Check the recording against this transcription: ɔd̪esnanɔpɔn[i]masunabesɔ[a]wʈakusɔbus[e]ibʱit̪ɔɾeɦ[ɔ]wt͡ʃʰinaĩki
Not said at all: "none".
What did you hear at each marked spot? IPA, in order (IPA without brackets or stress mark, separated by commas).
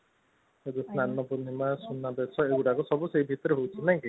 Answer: i, e, e, o